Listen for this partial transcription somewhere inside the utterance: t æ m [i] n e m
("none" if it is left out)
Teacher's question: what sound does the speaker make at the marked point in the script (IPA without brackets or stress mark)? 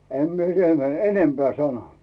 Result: e